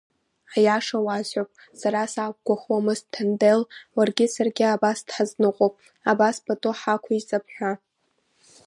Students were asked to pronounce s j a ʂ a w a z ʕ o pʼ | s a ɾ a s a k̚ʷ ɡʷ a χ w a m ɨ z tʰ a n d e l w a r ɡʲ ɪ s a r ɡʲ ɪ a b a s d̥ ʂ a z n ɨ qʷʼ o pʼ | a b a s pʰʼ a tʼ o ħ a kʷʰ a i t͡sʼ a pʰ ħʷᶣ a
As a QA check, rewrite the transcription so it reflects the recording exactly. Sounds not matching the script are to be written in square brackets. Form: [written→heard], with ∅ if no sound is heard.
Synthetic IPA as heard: [s→ħ] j a ʂ a w a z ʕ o pʼ | s a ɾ a s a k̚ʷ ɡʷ a χ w a m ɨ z tʰ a n d e l w a r ɡʲ ɪ s a r ɡʲ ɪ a b a s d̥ [ʂ→ħ] a z n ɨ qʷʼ o pʼ | a b a s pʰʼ a tʼ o ħ a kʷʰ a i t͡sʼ a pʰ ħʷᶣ a